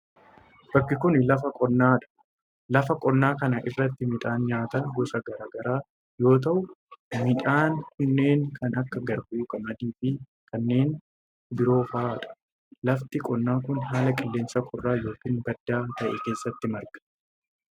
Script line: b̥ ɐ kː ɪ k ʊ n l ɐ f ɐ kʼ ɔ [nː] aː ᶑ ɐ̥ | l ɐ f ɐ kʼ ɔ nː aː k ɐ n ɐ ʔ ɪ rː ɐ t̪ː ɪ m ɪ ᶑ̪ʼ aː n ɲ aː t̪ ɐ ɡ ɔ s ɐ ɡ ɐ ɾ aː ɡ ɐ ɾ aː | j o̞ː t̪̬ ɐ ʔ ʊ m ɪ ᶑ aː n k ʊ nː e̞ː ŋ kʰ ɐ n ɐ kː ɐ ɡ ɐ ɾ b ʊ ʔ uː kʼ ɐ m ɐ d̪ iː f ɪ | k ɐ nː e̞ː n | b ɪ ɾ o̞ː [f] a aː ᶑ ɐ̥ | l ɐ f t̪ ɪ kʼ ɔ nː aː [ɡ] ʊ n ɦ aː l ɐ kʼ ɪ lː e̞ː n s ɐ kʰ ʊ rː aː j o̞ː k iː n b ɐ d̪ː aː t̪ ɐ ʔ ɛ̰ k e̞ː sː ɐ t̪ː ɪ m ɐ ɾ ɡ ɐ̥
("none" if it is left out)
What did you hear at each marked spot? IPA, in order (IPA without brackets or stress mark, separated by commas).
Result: nː, f, k